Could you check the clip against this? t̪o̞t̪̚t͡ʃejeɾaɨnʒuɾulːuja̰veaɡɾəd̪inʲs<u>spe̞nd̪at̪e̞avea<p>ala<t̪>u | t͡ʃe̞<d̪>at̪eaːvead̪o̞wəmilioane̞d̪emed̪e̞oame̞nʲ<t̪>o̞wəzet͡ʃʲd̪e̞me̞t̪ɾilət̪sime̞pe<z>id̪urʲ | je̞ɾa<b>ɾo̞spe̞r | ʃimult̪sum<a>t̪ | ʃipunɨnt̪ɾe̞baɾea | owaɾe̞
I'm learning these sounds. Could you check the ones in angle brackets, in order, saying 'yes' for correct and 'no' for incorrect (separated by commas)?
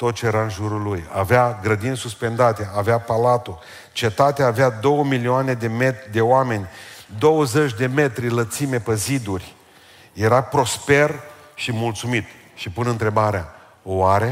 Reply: yes, yes, yes, no, no, yes, no, no